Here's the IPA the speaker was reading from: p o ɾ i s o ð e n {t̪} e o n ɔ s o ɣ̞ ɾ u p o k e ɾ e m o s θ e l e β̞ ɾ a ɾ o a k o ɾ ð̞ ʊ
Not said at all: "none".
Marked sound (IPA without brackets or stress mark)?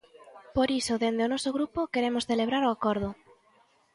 d̪